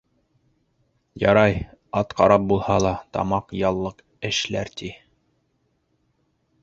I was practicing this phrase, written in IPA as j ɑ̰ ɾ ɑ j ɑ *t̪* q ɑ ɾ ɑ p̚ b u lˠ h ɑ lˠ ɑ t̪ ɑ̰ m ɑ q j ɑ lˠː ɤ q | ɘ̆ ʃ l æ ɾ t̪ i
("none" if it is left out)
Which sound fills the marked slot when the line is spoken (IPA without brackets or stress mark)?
t̪